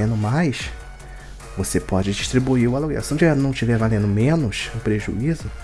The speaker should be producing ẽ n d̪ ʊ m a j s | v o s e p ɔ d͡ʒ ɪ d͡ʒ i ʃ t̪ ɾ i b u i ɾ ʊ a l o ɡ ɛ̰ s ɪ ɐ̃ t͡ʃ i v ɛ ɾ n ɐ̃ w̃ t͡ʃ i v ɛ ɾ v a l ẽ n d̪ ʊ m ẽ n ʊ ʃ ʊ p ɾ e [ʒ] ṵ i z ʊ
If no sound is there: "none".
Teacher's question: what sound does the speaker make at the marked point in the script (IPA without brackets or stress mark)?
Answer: ʒ